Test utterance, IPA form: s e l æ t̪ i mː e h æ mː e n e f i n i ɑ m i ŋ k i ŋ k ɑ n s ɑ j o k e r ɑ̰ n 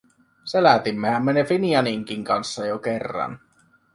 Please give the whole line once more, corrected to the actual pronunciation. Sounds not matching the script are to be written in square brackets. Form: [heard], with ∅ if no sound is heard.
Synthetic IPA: s e l æ t̪ i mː e h æ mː e n e f i n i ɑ [n] i ŋ k i ŋ k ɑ n [sː] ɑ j o k e [rː] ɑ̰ n